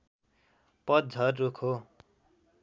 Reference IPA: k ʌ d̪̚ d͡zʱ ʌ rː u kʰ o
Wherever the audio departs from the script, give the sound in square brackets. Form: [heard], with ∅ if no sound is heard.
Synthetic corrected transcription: [p] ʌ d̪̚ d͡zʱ ʌ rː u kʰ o